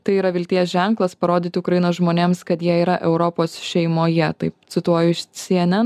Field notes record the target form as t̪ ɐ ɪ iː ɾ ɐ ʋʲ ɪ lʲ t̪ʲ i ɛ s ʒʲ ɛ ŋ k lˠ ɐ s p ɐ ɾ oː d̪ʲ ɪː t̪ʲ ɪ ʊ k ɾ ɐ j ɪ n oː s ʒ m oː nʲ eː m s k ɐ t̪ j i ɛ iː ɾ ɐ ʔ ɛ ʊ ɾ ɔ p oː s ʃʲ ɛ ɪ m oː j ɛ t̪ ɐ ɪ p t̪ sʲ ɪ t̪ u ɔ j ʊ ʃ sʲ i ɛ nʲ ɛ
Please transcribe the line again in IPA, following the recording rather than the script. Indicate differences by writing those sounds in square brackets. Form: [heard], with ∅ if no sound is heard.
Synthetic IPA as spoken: t̪ ɐ ɪ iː ɾ ɐ ʋʲ ɪ lʲ t̪ʲ i ɛ s ʒʲ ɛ ŋ k lˠ ɐ s p ɐ ɾ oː d̪ʲ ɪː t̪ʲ ɪ ʊ k ɾ ɐ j ɪ n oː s ʒ m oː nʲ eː m s k ɐ t̪ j i ɛ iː ɾ ɐ ʔ ɛ ʊ ɾ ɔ p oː s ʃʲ ɛ ɪ m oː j ɛ t̪ ɐ ɪ p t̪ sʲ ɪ t̪ u ɔ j ʊ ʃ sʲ i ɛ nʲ ɛ

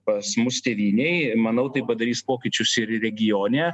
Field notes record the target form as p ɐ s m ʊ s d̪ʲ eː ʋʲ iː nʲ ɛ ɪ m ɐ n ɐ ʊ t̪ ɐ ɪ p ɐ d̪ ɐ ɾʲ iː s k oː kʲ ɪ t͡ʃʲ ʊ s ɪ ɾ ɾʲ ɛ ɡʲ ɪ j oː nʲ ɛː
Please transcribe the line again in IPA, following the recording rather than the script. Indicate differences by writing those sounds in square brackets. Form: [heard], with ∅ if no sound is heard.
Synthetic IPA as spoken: p ɐ s m ʊ s [t̪ʲ] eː ʋʲ iː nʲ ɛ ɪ m ɐ n ɐ ʊ t̪ ɐ ɪ p ɐ d̪ ɐ ɾʲ iː s [p] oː kʲ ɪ t͡ʃʲ ʊ s ɪ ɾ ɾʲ ɛ ɡʲ ɪ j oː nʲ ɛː

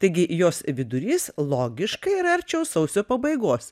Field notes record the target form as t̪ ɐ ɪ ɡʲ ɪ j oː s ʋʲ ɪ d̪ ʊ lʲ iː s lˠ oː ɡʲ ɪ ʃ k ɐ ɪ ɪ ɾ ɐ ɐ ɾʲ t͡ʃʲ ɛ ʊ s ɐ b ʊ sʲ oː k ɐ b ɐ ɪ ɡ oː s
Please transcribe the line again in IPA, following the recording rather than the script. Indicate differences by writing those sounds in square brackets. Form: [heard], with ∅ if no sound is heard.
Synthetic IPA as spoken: t̪ ɐ ɪ ɡʲ ɪ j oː s ʋʲ ɪ d̪ ʊ [ɾʲ] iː s lˠ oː ɡʲ ɪ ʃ k ɐ ɪ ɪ ɾ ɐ ɐ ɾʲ t͡ʃʲ ɛ ʊ s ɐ [∅] ʊ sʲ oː [p] ɐ b ɐ ɪ ɡ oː s

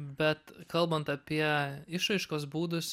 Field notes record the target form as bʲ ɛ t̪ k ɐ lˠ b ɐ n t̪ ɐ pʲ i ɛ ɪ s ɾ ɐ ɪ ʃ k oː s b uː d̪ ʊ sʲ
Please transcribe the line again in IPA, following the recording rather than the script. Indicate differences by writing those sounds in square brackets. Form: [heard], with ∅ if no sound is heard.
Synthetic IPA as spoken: bʲ ɛ t̪ k ɐ lˠ b ɐ n t̪ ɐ pʲ i ɛ ɪ [ʃ] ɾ ɐ ɪ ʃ k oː s b uː d̪ ʊ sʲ

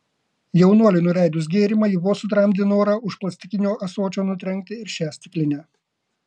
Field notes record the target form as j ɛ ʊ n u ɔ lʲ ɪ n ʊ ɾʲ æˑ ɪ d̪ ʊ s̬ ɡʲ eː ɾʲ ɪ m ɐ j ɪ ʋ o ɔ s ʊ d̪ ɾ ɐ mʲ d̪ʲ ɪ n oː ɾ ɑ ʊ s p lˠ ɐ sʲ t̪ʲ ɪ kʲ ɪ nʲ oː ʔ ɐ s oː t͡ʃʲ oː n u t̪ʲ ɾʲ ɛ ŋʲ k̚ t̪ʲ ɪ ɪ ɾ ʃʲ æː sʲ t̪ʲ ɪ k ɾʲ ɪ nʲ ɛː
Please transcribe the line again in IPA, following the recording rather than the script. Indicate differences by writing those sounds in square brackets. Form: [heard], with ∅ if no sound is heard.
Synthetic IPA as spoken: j ɛ ʊ n u ɔ lʲ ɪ n ʊ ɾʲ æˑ ɪ d̪ ʊ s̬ ɡʲ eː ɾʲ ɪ m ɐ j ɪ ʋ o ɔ s ʊ [t̪] ɾ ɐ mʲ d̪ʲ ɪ n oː ɾ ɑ ʊ [ʃ] p lˠ ɐ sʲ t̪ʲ ɪ kʲ ɪ nʲ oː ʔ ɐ s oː t͡ʃʲ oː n [ʊ] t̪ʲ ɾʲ ɛ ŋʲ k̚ t̪ʲ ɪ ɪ ɾ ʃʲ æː sʲ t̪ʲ ɪ k [lʲ] ɪ nʲ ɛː

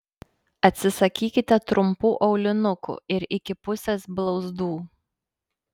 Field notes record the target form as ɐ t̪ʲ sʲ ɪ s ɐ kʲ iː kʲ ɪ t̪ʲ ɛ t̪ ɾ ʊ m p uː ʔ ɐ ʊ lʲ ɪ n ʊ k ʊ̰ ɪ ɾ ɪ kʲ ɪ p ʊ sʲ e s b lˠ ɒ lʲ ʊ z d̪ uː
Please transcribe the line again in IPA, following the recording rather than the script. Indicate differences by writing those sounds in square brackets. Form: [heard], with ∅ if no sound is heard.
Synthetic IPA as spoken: ɐ t̪ʲ sʲ ɪ s ɐ kʲ iː kʲ ɪ t̪ʲ ɛ t̪ ɾ ʊ m p uː ʔ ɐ ʊ lʲ ɪ n ʊ k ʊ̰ ɪ ɾ ɪ kʲ ɪ p ʊ sʲ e s b lˠ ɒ [∅] ʊ z d̪ uː

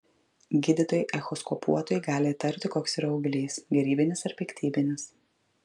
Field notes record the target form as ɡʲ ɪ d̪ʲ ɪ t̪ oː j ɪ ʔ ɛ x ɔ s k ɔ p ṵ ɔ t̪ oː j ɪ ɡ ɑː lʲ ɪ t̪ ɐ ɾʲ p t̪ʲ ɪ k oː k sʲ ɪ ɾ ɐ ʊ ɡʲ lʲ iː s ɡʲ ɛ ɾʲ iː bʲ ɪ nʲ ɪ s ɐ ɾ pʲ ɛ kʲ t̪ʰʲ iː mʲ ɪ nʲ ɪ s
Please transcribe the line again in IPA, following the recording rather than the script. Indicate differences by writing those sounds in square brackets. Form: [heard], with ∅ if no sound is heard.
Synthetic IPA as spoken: ɡʲ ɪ d̪ʲ ɪ t̪ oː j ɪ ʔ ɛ x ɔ s k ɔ p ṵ ɔ t̪ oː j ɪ ɡ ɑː lʲ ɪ t̪ ɐ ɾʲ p t̪ʲ ɪ k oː k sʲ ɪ ɾ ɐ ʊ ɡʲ lʲ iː s ɡʲ ɛ ɾʲ iː bʲ ɪ nʲ ɪ s ɐ ɾ pʲ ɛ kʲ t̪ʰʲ iː [bʲ] ɪ nʲ ɪ s

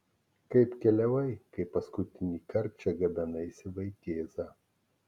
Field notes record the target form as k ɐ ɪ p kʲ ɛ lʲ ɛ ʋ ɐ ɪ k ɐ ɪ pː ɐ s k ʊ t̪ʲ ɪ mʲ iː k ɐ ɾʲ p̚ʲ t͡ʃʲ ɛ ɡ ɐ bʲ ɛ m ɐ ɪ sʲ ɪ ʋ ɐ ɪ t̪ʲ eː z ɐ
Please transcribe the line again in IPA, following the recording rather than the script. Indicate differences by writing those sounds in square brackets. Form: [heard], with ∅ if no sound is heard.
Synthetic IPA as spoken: k ɐ ɪ p kʲ ɛ lʲ ɛ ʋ ɐ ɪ k ɐ ɪ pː ɐ s k ʊ t̪ʲ ɪ [nʲ] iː k ɐ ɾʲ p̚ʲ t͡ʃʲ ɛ ɡ ɐ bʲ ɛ [n] ɐ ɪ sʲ ɪ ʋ ɐ ɪ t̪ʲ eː z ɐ

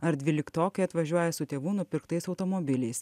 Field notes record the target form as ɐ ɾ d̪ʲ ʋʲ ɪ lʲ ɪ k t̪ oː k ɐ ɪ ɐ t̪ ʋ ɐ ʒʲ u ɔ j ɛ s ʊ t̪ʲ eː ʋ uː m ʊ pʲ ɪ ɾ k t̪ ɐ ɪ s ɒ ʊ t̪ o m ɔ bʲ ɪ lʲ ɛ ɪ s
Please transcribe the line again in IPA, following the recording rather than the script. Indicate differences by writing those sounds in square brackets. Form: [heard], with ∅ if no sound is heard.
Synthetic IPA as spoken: ɐ ɾ d̪ʲ ʋʲ ɪ lʲ ɪ k t̪ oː k ɐ ɪ ɐ t̪ ʋ ɐ ʒʲ u ɔ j ɛ s ʊ t̪ʲ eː ʋ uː [n] ʊ pʲ ɪ ɾ k t̪ ɐ ɪ s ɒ ʊ t̪ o m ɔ bʲ ɪ lʲ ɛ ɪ s

